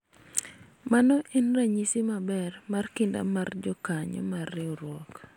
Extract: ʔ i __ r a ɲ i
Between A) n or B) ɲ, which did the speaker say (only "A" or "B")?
A